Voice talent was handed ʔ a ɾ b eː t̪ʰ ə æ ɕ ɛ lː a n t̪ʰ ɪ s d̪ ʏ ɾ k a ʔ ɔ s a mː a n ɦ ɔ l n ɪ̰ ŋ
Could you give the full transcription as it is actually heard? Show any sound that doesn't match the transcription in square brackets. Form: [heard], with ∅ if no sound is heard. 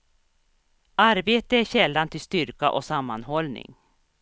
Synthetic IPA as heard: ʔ a ɾ b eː [t̪] ə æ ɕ ɛ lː a n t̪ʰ ɪ s [t̪] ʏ ɾ k a ʔ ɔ s a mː a n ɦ ɔ l n ɪ̰ ŋ